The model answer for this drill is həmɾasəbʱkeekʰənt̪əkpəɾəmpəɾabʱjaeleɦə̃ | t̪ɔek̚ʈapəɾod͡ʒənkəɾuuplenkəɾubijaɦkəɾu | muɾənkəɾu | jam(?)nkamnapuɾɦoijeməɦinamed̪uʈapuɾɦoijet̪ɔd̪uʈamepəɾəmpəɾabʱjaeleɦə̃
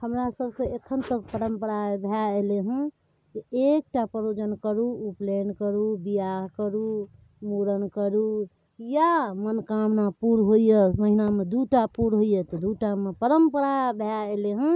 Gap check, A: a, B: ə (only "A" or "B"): B